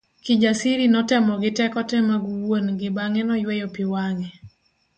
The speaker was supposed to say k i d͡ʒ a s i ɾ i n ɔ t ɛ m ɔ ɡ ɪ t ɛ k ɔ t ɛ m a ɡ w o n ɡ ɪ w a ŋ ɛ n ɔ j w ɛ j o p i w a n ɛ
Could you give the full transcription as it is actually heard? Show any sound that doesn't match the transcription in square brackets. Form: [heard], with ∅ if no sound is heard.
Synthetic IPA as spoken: k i d͡ʒ a s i ɾ i n ɔ t ɛ m ɔ ɡ ɪ t ɛ k ɔ t ɛ m a ɡ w o n ɡ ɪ [b] a ŋ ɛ n ɔ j w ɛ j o p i w a [ŋ] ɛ